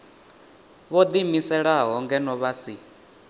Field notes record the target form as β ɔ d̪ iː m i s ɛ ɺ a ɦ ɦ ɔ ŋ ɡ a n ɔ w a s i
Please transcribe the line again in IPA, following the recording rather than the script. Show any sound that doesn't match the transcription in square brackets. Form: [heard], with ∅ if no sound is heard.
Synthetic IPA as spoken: β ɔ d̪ [i] m i s ɛ ɺ a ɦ ɦ ɔ ŋ ɡ [ɛ] n ɔ [β] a s i